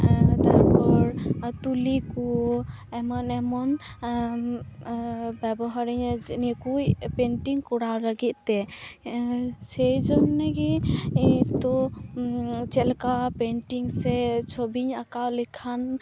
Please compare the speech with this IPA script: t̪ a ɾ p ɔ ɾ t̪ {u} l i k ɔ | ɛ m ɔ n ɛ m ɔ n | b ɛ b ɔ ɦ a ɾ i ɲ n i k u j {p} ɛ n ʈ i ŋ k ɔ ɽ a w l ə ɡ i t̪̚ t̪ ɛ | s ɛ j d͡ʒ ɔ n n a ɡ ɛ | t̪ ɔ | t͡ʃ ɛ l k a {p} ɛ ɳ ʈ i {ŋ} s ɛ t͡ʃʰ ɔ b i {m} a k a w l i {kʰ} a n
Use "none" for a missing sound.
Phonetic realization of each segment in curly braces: u, p, p, ŋ, ɲ, kʰ

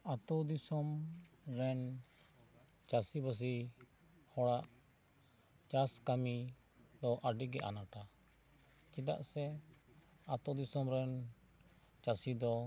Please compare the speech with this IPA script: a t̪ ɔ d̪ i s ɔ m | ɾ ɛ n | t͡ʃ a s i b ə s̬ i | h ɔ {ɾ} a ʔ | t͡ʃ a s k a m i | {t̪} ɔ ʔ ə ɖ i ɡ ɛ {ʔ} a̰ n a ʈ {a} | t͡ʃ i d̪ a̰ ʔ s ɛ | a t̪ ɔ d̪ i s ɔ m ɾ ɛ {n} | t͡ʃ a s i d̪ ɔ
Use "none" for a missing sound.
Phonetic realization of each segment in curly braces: ɽ, d̪, ʔ, a, n

